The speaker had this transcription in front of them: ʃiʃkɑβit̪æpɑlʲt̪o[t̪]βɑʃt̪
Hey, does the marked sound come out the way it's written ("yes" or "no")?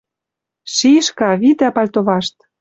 no